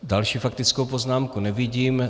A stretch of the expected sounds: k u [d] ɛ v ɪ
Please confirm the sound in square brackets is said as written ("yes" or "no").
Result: no